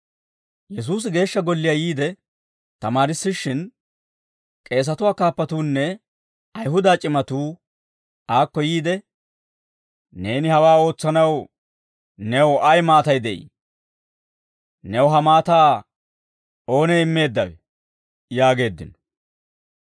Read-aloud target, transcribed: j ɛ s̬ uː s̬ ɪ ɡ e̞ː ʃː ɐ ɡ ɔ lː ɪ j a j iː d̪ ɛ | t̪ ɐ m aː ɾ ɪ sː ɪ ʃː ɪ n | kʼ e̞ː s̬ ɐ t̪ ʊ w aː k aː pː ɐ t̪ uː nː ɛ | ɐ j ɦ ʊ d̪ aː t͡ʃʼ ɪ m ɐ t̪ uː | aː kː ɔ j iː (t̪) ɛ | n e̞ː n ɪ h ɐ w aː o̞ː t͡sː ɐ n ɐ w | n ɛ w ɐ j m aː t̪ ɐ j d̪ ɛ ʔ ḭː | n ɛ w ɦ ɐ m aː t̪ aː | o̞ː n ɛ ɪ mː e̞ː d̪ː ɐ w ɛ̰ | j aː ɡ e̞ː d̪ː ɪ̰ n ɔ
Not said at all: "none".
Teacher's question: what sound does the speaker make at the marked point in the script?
d̪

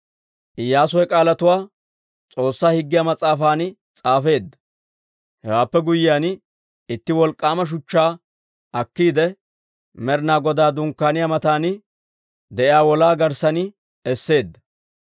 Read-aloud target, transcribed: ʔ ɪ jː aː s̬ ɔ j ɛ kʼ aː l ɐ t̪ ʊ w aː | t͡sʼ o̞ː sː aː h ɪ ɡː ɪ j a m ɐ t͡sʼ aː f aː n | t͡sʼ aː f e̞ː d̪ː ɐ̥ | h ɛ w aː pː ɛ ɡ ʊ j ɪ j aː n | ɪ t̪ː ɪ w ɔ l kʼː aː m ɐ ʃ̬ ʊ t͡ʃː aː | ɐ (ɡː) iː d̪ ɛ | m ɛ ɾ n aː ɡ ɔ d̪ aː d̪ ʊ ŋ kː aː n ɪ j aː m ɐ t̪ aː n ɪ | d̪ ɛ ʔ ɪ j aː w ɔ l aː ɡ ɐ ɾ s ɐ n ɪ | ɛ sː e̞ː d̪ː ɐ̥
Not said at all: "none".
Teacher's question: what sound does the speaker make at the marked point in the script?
kː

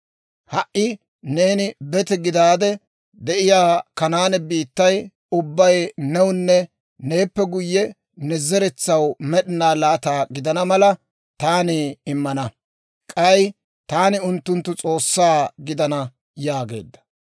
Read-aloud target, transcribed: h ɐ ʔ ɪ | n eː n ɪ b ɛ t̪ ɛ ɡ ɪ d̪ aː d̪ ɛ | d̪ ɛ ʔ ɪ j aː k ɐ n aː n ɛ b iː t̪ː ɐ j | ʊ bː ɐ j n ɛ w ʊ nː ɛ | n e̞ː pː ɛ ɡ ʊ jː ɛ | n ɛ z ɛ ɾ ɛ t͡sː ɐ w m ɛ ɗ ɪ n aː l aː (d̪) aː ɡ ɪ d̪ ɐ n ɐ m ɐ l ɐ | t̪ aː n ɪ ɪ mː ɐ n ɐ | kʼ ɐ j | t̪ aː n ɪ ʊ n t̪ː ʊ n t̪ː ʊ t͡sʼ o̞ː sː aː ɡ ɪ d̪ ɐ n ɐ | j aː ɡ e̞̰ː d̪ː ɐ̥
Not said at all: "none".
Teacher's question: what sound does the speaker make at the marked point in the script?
t̪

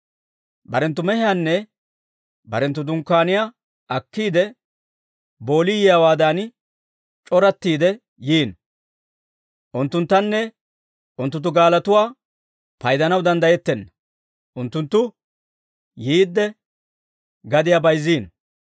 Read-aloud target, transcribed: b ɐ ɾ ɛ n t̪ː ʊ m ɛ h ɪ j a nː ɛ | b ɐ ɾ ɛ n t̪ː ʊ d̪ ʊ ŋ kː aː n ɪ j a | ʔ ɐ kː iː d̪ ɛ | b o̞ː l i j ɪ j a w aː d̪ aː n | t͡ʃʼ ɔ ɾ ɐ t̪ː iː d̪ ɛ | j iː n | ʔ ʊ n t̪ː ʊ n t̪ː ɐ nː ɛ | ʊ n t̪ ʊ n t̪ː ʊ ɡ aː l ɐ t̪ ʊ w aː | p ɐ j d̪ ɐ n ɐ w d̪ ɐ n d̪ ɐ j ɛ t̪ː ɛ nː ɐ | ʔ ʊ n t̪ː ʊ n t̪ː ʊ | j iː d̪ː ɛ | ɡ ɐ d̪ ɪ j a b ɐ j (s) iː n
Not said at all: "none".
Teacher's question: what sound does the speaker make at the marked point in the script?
z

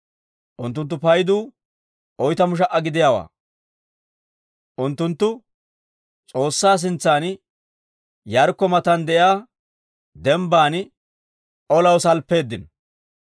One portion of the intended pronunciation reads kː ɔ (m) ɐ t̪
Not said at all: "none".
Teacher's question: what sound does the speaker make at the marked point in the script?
m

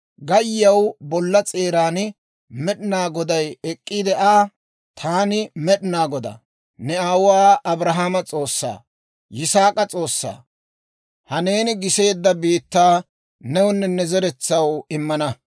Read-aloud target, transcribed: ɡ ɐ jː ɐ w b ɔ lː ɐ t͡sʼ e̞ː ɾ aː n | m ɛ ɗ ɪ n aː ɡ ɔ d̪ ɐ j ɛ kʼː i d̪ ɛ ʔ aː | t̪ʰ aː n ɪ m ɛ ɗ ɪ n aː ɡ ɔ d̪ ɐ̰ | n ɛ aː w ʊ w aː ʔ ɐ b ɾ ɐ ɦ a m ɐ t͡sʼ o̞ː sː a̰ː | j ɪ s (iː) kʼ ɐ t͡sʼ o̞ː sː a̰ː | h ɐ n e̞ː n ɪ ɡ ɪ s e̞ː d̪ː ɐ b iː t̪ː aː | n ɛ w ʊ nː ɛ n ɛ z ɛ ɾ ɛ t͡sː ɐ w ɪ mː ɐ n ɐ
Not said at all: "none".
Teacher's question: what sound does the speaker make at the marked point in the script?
aː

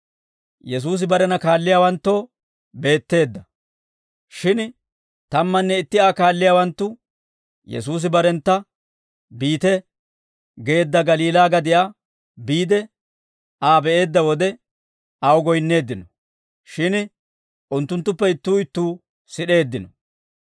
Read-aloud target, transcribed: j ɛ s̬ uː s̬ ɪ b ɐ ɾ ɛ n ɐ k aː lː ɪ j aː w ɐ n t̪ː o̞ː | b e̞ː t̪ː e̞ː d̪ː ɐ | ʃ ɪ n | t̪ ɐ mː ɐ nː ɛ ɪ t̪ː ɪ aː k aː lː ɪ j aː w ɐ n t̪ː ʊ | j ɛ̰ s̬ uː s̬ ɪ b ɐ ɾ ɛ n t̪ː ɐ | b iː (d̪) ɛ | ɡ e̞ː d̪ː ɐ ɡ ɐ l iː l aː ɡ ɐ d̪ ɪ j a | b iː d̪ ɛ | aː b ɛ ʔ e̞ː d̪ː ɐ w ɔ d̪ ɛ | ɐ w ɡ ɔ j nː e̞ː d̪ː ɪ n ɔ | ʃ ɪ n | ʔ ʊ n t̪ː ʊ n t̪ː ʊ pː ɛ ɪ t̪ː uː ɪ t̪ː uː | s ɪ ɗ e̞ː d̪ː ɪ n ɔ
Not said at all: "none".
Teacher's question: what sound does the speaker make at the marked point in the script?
t̪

